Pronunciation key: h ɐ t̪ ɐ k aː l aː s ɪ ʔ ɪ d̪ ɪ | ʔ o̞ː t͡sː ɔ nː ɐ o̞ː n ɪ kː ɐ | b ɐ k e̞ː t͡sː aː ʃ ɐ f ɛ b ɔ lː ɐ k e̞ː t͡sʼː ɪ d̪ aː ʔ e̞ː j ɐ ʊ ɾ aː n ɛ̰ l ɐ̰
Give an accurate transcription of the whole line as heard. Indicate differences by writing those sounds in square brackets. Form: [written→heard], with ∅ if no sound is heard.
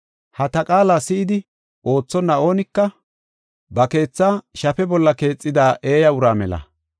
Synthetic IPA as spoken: h ɐ t̪ ɐ [k→kʼ] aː l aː s ɪ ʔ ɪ d̪ ɪ | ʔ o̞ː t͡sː ɔ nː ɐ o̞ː n ɪ kː ɐ | b ɐ k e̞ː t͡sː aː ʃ ɐ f ɛ b ɔ lː ɐ k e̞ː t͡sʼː ɪ d̪ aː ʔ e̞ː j ɐ ʊ ɾ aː [n→m] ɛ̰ l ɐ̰